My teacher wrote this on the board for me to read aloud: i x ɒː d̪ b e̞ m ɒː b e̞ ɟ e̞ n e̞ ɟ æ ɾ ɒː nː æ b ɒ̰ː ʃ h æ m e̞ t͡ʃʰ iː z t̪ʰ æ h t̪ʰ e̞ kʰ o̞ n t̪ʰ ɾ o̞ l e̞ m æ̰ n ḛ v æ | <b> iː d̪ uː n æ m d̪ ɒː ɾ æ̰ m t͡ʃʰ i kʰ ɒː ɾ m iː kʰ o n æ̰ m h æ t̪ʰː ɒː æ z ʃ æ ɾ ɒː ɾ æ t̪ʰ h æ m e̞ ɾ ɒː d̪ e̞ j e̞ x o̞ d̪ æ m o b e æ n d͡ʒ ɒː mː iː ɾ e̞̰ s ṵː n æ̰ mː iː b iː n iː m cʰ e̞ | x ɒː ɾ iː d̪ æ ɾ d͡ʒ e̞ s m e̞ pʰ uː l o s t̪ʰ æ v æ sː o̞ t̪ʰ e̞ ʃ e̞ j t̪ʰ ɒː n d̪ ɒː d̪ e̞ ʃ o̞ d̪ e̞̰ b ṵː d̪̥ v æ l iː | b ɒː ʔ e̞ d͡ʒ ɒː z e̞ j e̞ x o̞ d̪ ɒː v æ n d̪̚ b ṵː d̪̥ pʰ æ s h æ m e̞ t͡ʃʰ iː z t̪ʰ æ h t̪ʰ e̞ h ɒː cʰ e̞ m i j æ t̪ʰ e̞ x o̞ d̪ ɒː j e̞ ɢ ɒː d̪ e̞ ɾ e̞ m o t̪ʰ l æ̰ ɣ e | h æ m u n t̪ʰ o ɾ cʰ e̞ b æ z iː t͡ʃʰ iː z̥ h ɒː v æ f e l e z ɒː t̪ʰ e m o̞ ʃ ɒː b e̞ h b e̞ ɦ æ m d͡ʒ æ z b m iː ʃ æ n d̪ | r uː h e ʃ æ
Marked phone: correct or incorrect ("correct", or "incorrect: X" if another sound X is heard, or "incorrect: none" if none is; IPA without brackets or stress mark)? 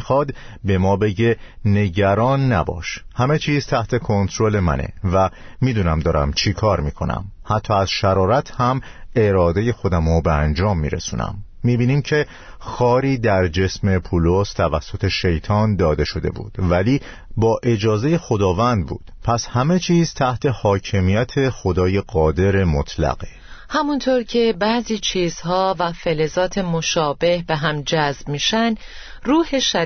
incorrect: m